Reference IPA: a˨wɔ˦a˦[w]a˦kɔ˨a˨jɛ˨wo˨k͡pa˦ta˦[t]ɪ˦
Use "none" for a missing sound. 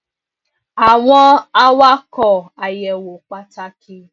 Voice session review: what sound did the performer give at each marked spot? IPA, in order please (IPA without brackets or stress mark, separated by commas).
w, k